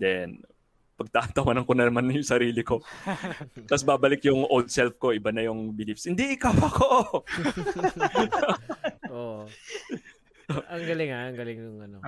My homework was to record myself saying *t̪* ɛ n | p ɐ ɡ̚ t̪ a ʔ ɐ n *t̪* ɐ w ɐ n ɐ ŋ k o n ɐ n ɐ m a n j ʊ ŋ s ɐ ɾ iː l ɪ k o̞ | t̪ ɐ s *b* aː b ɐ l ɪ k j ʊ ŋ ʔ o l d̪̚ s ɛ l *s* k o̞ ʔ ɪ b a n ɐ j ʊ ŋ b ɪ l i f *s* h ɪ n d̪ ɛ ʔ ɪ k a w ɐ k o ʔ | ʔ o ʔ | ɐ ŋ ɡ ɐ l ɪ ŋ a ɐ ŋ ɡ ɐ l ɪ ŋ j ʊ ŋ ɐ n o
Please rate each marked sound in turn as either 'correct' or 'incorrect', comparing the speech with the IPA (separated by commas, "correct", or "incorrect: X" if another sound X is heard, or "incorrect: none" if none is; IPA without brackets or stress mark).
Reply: incorrect: d̪, correct, correct, incorrect: f, correct